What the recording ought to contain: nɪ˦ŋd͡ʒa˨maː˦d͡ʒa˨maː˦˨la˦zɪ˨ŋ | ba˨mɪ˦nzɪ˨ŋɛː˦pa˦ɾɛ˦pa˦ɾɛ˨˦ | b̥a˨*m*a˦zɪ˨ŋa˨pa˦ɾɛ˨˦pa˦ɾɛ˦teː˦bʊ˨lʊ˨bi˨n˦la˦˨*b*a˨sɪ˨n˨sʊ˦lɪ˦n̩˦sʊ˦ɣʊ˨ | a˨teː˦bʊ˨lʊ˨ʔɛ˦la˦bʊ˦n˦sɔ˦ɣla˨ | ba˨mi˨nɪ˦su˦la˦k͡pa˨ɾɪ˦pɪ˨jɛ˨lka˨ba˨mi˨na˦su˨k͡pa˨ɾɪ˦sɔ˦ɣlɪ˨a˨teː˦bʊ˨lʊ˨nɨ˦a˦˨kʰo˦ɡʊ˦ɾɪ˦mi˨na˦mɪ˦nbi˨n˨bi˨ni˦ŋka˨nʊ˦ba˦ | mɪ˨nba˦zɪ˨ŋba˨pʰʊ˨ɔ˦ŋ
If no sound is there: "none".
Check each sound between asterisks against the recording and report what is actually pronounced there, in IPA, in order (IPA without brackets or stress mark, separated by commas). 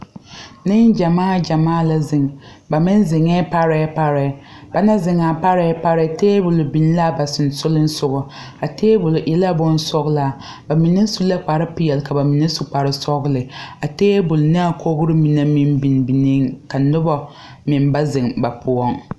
n, b